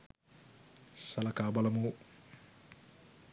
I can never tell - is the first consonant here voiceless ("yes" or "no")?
yes